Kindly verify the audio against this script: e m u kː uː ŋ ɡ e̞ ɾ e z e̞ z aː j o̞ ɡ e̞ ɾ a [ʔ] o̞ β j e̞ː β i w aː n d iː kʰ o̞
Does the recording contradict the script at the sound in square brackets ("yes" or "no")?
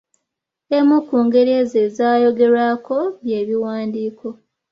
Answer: yes